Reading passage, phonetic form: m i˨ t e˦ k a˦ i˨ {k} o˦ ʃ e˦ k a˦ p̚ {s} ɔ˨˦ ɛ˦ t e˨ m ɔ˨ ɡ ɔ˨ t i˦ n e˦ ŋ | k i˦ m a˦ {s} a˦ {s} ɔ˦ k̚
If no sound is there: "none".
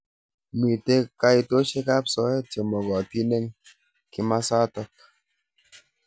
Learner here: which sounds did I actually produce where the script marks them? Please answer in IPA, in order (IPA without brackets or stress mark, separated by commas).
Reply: t, s, s, t